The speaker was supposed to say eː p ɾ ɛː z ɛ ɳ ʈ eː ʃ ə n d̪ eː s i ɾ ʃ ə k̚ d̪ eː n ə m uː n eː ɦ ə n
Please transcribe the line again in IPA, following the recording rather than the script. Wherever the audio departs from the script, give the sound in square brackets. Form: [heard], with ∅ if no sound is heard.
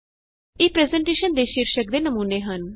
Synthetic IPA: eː p ɾ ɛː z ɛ ɳ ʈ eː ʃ ə n d̪ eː [ʃ] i ɾ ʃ ə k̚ d̪ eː n ə m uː n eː ɦ ə n